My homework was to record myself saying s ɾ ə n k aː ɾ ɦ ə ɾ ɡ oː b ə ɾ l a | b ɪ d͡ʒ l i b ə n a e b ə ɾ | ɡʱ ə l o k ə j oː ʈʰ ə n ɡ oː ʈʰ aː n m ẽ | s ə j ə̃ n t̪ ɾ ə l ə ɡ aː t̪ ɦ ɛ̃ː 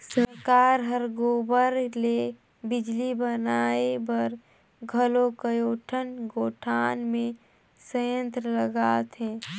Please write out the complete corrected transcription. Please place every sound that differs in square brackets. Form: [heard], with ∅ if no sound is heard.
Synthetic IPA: s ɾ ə [∅] k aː ɾ ɦ ə ɾ ɡ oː b ə ɾ l [e] | b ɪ d͡ʒ l i b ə n a e b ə ɾ | ɡʱ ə l o k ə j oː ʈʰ ə n ɡ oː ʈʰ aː n m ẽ | s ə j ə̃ n t̪ ɾ ə l ə ɡ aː t̪ ɦ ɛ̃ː